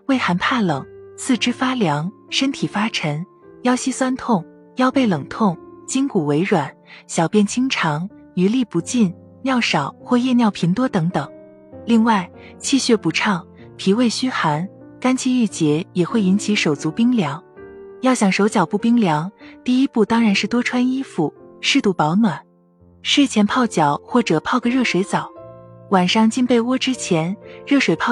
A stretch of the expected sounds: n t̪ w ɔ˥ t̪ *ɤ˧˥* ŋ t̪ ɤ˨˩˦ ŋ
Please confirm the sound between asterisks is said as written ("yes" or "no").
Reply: yes